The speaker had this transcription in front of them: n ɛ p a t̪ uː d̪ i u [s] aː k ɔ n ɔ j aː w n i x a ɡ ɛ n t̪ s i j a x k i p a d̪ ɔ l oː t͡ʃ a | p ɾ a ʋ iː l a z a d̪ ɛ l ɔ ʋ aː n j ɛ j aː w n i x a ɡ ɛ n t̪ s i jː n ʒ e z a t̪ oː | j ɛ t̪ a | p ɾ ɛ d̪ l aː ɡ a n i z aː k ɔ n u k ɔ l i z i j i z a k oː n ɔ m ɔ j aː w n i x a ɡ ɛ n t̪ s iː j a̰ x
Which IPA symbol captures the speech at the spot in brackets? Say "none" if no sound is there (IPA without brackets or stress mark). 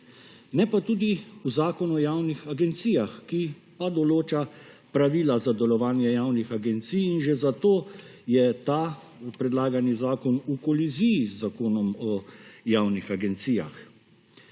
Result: z